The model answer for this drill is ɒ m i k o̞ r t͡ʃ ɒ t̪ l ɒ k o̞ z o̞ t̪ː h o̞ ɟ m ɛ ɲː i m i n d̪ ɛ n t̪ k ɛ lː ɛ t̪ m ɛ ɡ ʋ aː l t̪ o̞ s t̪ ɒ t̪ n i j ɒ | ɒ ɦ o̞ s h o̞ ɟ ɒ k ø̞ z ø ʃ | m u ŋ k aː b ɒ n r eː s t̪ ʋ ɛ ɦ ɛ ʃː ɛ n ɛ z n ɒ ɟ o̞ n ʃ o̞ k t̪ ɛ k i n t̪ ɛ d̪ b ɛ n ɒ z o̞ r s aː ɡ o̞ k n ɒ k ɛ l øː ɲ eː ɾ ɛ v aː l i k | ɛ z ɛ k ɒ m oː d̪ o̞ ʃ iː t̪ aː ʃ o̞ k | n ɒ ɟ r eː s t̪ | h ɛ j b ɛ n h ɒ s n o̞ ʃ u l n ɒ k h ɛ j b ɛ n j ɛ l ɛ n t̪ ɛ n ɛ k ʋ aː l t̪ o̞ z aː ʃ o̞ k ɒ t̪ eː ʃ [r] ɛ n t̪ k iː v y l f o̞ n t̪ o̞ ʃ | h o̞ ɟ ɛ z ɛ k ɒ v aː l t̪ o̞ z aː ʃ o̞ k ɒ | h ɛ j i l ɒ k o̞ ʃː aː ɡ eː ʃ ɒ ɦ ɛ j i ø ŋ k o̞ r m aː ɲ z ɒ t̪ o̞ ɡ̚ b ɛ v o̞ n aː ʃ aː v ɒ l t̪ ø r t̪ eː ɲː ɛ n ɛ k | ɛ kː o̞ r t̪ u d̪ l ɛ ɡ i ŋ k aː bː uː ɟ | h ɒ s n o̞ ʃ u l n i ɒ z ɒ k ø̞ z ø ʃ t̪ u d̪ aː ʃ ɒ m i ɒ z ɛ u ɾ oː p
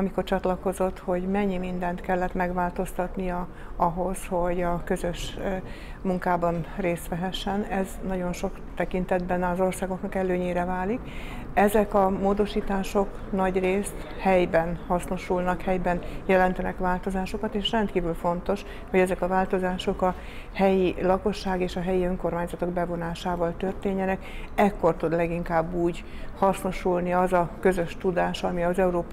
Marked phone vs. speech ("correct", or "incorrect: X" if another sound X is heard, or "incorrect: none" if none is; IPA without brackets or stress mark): correct